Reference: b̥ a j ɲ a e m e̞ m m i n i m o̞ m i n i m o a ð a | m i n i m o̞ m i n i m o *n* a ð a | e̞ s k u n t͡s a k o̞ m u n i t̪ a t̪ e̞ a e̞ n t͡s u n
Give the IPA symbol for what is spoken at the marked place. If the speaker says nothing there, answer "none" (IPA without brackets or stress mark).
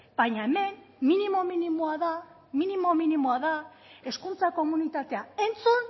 none